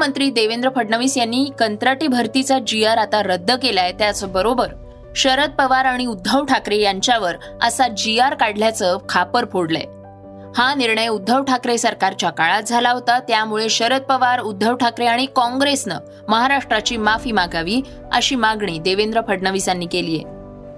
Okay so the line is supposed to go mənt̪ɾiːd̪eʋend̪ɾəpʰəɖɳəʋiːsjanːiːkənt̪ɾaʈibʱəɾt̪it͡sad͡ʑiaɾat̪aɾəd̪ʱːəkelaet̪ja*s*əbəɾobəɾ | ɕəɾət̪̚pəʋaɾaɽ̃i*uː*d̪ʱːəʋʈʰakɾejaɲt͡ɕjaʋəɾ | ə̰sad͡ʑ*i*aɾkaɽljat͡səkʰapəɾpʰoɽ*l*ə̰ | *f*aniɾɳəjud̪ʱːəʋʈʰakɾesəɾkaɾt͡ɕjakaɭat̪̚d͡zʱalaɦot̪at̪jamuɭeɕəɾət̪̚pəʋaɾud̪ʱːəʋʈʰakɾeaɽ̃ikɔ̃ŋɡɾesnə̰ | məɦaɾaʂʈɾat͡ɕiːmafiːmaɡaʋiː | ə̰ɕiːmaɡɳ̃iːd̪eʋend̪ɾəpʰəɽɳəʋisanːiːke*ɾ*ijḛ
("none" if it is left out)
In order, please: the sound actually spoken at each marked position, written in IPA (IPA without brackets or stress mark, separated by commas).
t͡s, u, i, l, h, l